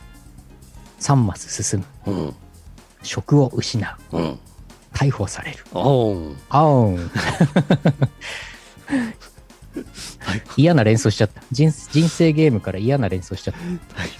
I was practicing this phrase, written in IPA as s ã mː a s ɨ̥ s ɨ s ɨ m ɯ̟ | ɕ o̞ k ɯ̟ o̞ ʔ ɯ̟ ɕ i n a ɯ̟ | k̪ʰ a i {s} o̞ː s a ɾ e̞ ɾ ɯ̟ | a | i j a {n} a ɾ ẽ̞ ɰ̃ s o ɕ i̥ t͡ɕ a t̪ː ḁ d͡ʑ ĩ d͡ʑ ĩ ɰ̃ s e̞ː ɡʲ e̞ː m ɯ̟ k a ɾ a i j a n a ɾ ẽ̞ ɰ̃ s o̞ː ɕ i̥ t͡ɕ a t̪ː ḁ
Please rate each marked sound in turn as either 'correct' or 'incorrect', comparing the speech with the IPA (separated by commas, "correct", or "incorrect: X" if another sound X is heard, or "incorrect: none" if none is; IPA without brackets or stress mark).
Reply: incorrect: h, correct